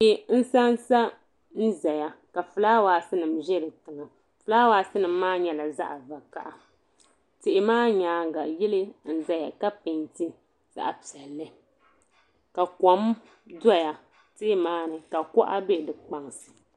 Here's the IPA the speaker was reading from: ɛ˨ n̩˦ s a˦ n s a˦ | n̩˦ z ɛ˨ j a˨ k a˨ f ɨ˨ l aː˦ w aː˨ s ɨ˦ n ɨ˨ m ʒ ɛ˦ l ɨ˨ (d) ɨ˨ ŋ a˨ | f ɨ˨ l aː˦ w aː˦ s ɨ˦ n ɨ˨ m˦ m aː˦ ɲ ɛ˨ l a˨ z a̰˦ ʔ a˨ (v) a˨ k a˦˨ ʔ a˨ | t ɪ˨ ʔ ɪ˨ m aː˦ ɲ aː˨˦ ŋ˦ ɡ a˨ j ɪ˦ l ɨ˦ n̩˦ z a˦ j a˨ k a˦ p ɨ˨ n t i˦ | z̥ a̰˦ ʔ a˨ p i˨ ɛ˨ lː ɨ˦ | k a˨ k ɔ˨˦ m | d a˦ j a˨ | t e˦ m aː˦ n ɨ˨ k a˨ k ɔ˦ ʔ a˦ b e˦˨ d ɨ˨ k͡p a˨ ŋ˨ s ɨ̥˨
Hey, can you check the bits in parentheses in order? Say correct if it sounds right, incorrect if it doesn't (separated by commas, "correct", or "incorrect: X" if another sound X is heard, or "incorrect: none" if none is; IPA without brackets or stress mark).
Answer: incorrect: t, correct